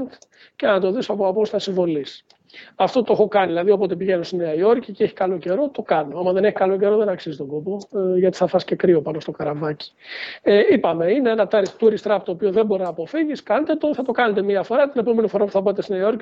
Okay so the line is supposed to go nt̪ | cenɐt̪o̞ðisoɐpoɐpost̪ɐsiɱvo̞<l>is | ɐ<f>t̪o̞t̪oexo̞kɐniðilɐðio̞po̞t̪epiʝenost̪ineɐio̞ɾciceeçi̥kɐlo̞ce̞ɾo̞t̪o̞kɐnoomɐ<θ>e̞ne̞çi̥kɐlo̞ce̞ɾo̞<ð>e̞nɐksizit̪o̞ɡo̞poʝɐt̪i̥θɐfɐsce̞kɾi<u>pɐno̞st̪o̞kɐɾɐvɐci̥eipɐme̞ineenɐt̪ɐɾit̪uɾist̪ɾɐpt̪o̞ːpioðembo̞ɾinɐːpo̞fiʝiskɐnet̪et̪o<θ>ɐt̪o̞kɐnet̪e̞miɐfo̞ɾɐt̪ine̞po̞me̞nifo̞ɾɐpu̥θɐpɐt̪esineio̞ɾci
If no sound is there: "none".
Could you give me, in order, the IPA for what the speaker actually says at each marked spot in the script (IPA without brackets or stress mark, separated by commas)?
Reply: l, f, ð, ð, o, θ